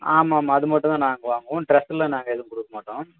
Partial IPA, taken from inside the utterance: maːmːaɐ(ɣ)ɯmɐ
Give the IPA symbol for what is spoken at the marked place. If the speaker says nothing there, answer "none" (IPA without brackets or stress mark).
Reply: ð